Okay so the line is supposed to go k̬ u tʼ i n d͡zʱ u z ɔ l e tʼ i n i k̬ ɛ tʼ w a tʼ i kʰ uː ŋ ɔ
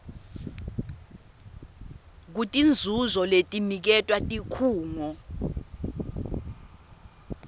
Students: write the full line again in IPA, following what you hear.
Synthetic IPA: k̬ u tʼ i n d͡zʱ u z ɔ l e tʼ i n i k̬ ɛ tʼ w a tʼ i kʰ uː ŋ ɔ